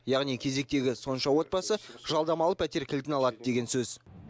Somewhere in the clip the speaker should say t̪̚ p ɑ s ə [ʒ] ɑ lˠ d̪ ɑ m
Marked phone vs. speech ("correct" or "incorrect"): correct